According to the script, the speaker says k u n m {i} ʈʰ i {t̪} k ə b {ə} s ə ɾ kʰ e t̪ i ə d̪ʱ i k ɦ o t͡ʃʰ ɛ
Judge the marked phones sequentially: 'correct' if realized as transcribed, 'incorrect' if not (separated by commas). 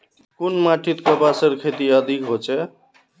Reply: incorrect, correct, incorrect